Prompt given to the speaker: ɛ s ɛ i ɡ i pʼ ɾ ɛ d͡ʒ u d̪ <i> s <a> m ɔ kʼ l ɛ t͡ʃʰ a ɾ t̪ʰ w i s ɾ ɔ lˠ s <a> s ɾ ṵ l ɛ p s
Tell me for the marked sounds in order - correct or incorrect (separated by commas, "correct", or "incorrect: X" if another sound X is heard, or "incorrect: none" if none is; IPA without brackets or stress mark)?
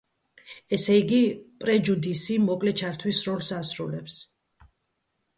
correct, incorrect: i, correct